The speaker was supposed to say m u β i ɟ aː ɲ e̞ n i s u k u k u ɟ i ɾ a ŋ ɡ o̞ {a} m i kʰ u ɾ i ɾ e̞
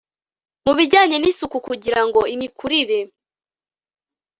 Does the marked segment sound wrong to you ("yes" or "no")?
yes